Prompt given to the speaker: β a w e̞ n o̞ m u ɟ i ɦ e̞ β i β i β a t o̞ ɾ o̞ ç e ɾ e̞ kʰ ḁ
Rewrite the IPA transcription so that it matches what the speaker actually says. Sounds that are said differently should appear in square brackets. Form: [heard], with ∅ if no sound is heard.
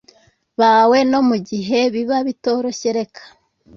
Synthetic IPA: β a w e̞ n o̞ m u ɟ i ɦ e̞ β i β [a] β [i] t o̞ ɾ o̞ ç e ɾ e̞ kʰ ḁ